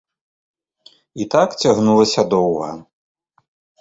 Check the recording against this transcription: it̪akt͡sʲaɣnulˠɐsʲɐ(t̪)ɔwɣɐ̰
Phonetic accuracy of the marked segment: incorrect: d̪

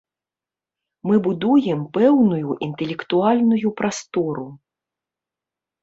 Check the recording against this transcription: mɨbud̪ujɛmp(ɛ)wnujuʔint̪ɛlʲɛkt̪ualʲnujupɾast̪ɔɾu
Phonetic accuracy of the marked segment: correct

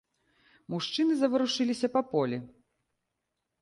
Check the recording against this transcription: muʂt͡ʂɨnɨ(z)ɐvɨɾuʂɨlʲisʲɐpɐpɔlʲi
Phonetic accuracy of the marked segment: correct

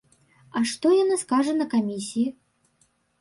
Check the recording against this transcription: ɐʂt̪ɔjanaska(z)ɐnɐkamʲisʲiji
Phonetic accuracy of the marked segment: incorrect: ʐ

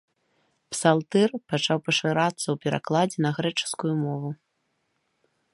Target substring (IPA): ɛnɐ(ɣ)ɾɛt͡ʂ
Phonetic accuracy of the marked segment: correct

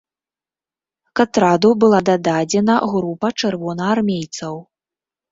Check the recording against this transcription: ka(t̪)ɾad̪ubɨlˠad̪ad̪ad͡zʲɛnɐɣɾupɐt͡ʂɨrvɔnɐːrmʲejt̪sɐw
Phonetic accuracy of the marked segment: correct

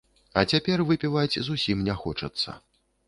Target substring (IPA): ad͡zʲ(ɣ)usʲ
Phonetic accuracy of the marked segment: incorrect: z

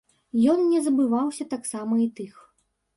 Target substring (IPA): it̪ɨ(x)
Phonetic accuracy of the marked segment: correct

